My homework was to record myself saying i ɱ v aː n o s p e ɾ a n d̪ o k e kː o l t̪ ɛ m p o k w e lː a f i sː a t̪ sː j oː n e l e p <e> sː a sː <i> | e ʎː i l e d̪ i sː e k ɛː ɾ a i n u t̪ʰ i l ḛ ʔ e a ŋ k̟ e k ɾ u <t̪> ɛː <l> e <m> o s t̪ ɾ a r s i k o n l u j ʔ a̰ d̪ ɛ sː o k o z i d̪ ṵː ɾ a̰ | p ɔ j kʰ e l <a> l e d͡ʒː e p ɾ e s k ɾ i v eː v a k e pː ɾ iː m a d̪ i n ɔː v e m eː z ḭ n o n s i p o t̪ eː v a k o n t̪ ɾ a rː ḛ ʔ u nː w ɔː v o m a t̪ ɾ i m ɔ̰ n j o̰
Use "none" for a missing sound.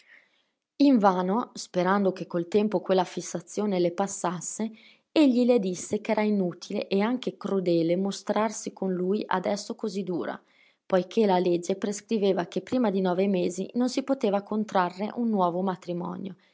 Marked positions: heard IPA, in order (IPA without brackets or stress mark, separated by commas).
a, e, d̪, l, m, a